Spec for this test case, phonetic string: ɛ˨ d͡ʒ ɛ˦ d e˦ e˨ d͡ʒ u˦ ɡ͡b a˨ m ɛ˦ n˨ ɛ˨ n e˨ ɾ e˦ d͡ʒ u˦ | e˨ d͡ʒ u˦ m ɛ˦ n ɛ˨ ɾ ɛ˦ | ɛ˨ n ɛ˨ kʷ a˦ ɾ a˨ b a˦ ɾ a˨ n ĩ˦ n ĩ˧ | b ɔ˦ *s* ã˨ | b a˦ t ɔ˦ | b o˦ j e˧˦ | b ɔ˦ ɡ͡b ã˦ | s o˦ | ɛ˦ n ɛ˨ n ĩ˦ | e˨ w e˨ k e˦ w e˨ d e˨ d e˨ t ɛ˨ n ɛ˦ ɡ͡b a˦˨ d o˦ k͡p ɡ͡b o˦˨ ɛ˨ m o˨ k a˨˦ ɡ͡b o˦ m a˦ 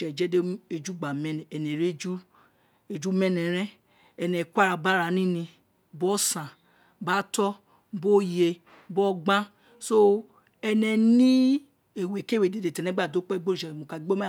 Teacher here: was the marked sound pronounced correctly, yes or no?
yes